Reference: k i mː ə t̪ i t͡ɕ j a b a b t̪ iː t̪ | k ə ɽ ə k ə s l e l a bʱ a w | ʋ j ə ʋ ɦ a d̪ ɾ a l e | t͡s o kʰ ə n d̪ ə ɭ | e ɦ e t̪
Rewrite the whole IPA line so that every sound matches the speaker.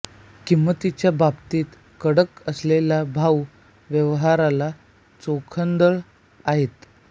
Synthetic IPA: k i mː ə t̪ i t͡ɕ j a b a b t̪ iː t̪ | k ə ɽ ə k ə s l e l a bʱ a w | ʋ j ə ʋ ɦ a ɾ a l a | t͡s o kʰ ə n d̪ ə ɭ | a ɦ e t̪